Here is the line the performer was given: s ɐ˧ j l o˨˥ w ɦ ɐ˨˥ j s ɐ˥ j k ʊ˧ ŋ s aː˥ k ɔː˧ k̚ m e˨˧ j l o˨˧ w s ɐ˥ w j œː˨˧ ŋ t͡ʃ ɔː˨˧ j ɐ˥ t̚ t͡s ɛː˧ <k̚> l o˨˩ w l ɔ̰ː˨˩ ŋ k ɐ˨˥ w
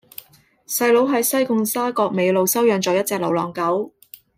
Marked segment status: correct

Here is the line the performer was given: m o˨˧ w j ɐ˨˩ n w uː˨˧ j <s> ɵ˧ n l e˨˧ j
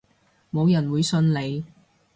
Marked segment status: correct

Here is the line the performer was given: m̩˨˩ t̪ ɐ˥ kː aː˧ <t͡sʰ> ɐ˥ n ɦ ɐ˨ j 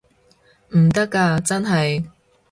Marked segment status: incorrect: t͡s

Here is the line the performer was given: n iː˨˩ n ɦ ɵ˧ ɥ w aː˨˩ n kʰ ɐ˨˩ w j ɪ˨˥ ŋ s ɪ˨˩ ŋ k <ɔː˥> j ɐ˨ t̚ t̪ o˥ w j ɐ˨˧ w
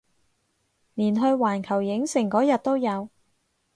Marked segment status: incorrect: ɔː˨˥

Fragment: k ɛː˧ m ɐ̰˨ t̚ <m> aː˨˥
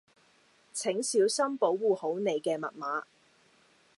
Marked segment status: correct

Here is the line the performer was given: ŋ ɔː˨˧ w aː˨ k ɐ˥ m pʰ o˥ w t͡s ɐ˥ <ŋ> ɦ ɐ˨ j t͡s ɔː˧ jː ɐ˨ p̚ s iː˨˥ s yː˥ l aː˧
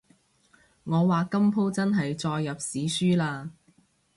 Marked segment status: incorrect: n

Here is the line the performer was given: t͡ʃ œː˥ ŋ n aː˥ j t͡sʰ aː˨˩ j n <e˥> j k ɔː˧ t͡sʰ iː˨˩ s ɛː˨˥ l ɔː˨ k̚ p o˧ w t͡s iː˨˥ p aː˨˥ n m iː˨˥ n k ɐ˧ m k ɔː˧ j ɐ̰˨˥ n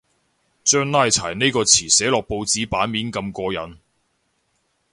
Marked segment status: correct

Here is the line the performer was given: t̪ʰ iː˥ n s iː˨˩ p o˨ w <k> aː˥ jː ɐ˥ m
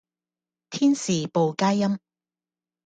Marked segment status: correct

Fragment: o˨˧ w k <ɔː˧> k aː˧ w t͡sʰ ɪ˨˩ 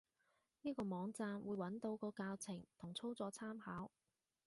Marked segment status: correct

